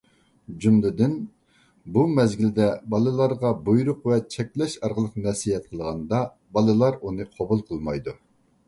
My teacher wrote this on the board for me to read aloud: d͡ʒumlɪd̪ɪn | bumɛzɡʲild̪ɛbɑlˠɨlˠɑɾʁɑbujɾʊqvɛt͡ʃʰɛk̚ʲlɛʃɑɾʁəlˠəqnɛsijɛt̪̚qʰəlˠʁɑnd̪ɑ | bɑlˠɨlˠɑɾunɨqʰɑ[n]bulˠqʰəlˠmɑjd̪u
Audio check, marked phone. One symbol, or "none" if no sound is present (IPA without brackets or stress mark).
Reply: none